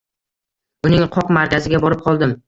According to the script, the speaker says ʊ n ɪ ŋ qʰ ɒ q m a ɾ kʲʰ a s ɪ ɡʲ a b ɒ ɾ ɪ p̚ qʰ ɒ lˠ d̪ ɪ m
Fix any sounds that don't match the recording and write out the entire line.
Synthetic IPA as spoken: ʊ n ɪ ŋ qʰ ɒ q m a ɾ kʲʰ a z ɪ ɡʲ a b ɒ ɾ ɪ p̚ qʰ ɒ lˠ d̪ ɪ m